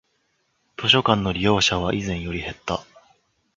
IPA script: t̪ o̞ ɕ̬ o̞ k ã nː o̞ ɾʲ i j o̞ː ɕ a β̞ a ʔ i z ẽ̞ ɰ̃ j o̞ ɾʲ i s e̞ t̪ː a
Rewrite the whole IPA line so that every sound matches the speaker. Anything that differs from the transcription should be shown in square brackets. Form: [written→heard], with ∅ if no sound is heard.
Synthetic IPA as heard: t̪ o̞ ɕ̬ o̞ k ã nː o̞ ɾʲ i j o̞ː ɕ a β̞ a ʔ i z ẽ̞ ɰ̃ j o̞ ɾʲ i [s→h] e̞ t̪ː a